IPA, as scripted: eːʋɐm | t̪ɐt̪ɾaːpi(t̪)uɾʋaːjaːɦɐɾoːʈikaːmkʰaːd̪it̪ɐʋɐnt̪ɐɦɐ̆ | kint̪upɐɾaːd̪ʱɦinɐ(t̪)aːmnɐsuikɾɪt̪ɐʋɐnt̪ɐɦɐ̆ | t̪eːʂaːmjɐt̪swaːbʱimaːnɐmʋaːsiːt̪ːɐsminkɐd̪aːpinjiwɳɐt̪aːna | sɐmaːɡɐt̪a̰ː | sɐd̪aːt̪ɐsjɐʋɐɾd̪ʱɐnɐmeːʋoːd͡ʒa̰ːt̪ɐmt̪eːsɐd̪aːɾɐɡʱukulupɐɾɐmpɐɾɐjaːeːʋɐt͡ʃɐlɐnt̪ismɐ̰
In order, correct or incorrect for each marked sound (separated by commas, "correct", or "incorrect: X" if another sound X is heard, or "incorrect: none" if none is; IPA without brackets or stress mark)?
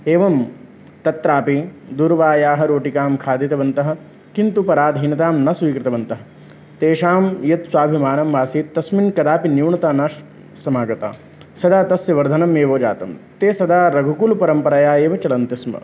incorrect: d̪, correct